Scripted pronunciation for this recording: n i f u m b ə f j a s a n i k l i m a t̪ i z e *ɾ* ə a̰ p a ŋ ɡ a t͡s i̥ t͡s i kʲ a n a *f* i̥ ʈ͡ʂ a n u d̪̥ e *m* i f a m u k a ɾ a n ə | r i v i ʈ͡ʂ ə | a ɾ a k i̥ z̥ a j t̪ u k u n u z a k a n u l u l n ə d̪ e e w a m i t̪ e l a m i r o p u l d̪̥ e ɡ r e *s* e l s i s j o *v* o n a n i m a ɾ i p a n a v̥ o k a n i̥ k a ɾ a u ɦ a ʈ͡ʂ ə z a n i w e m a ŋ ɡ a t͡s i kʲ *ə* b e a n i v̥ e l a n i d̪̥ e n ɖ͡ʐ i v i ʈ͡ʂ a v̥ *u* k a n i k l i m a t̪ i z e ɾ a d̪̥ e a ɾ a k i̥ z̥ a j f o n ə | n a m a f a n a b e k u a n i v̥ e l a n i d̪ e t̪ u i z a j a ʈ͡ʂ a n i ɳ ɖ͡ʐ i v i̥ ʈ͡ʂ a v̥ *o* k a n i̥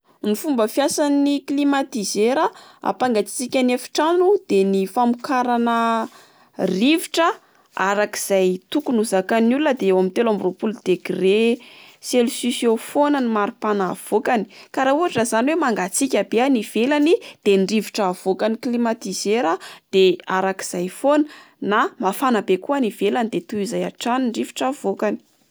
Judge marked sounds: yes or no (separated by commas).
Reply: yes, yes, no, yes, no, no, no, yes